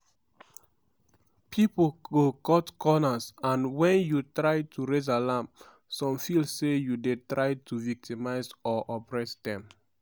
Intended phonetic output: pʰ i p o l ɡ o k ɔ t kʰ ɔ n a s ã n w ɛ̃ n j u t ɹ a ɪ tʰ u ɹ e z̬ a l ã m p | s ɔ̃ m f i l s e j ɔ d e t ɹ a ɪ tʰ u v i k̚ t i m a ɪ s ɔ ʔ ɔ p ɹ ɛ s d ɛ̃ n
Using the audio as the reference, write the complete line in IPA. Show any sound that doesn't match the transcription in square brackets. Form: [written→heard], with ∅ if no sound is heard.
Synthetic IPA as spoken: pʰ i p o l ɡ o k ɔ t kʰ ɔ n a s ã n w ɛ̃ n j u t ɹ a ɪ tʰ u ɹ e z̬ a l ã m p | s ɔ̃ m f i l s e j [ɔ→u] d e t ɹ a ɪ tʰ u v i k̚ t i m a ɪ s ɔ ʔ ɔ p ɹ ɛ s d ɛ̃ [n→m]